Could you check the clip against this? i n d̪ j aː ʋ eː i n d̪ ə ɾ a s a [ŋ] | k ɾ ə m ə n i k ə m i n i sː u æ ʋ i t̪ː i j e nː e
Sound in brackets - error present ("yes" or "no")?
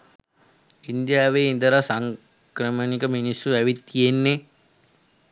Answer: no